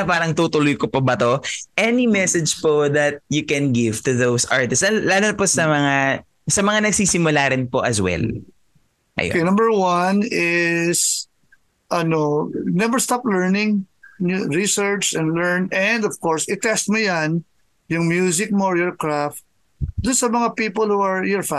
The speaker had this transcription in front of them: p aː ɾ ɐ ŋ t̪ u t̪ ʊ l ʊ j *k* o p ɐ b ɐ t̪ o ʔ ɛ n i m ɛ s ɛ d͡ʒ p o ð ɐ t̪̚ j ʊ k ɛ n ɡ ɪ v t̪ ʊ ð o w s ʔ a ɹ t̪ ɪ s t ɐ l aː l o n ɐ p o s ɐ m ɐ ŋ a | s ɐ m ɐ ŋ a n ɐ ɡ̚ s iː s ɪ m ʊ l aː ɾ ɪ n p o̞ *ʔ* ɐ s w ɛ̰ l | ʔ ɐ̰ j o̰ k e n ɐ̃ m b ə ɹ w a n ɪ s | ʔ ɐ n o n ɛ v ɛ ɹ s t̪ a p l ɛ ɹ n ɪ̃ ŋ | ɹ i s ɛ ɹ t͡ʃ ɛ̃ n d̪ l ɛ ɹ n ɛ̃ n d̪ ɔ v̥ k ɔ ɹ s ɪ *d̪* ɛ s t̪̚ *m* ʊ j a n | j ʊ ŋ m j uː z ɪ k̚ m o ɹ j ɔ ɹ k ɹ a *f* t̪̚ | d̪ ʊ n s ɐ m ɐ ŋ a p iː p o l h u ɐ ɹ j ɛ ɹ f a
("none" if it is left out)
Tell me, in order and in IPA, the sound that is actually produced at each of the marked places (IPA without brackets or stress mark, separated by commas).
k, ʔ, t̪, m, f